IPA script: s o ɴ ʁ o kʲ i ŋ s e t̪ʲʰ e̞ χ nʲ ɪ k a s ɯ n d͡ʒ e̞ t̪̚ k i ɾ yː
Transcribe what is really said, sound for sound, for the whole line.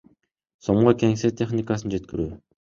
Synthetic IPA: s o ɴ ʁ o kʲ e ŋ s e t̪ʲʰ e̞ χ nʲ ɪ k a s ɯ n d͡ʒ e̞ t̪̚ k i ɾ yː